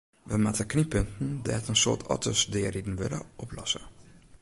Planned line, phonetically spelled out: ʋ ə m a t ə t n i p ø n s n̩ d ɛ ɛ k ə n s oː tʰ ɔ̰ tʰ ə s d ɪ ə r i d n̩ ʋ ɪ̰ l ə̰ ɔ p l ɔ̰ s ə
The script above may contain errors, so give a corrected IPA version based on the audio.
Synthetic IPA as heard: ʋ ə m a t ə k n i p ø n t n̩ d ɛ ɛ t ə n s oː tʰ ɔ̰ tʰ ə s d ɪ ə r i d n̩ ʋ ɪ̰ l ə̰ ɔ p l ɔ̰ s ə